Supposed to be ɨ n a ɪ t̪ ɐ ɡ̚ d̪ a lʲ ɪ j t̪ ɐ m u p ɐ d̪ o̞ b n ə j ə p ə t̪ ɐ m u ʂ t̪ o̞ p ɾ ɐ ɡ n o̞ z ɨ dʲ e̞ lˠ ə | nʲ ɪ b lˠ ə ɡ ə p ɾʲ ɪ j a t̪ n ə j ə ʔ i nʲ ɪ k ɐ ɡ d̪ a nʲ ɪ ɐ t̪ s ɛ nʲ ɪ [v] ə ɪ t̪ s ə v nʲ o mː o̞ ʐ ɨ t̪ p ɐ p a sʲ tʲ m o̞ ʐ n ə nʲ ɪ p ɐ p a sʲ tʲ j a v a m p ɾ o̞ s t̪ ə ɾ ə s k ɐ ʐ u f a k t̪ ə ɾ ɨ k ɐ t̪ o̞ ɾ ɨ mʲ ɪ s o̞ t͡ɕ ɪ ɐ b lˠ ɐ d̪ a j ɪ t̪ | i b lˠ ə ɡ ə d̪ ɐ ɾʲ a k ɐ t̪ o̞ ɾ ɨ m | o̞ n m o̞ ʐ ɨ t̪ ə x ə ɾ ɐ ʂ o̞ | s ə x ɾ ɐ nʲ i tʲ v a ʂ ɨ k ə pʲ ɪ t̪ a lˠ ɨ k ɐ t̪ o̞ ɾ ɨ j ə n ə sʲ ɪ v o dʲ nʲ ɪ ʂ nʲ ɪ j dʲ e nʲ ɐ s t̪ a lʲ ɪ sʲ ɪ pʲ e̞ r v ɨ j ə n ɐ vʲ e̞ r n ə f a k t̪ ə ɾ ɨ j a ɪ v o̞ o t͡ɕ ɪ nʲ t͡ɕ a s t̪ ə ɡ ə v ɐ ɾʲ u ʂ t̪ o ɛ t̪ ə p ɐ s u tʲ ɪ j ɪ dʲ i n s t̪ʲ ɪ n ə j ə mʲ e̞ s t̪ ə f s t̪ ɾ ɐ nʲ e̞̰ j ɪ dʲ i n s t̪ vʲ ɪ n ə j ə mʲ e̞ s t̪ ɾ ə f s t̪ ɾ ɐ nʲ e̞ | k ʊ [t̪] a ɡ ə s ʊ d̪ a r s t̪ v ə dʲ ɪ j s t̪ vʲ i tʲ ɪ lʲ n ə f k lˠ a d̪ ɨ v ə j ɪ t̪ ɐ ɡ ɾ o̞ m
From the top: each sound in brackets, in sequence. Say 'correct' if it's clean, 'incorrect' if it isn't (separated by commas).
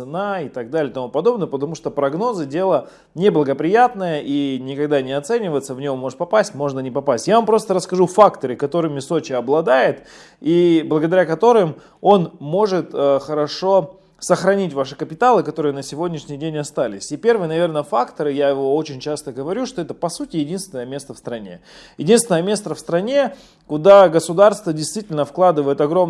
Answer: correct, incorrect